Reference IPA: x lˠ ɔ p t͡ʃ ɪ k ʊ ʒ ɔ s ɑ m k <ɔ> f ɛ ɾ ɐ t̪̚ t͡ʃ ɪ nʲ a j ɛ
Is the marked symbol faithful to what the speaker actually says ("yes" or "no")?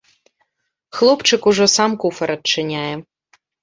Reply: no